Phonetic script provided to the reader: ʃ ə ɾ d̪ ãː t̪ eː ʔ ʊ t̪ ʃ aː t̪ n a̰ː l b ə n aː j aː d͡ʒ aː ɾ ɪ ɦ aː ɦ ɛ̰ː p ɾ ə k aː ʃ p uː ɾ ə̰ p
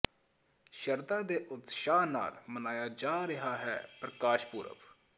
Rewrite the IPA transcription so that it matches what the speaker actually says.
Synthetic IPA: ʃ ə ɾ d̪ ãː d̪ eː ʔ ʊ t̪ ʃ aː n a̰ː l m ə n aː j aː d͡ʒ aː ɾ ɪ ɦ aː ɦ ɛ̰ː p ɾ ə k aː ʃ p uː ɾ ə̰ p